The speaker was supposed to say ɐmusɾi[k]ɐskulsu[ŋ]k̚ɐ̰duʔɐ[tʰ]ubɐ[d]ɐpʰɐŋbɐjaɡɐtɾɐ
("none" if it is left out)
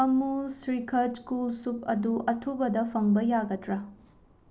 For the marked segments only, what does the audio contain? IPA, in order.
kʰ, none, tʰ, d

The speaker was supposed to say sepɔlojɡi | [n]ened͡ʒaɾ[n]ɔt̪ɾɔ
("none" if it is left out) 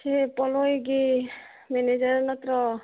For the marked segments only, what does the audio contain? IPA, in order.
m, n

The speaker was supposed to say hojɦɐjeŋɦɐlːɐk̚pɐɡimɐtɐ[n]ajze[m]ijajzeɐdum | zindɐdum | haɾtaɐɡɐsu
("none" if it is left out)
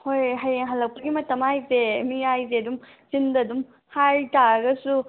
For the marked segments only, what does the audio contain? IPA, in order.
m, m

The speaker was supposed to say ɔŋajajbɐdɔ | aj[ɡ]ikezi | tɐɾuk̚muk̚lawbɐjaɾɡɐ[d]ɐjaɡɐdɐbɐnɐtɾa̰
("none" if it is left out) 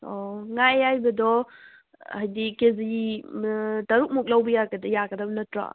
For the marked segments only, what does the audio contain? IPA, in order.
d, d

